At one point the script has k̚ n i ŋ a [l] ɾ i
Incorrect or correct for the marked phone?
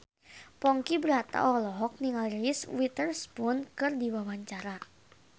correct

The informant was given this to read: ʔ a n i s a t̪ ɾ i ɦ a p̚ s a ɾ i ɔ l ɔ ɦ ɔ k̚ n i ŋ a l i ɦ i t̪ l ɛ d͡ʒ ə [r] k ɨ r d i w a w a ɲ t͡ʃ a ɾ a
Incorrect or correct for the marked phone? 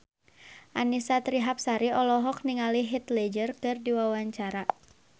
correct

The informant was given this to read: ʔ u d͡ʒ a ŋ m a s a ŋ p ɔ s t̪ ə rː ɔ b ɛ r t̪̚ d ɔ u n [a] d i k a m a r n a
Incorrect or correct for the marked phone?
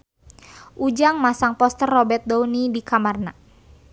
incorrect: i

